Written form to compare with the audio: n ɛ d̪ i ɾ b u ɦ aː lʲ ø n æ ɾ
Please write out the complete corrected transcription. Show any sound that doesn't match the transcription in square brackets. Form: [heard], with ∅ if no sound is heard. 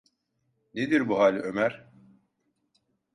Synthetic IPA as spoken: n [e] d̪ i ɾ b u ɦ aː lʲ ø [m] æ ɾ